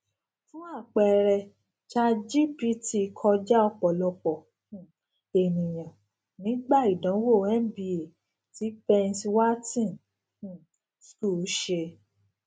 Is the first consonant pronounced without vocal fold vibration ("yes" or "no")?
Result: yes